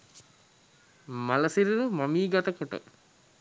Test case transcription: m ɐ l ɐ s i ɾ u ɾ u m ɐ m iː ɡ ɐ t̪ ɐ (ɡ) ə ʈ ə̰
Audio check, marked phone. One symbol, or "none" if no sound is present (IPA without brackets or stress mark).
k